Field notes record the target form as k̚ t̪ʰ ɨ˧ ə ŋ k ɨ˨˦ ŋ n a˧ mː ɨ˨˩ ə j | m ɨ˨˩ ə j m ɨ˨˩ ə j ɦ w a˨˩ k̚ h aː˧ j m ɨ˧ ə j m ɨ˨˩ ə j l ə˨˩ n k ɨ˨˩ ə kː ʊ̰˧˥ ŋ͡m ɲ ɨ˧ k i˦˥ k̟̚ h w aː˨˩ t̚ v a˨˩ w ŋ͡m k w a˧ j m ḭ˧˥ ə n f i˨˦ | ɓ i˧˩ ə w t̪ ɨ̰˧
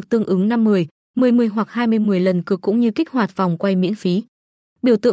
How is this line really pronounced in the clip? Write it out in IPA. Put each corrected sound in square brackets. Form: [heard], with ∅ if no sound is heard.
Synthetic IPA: k̚ [t̪] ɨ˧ ə ŋ [ʔ] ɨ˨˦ ŋ n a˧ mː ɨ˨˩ ə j | m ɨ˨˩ ə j m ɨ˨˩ ə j ɦ w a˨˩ k̚ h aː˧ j m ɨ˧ ə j m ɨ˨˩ ə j l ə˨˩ n k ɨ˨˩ ə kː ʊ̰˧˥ ŋ͡m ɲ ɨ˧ k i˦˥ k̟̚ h w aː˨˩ t̚ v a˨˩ w ŋ͡m k w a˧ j m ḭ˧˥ ə n f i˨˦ | ɓ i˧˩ ə w t̪ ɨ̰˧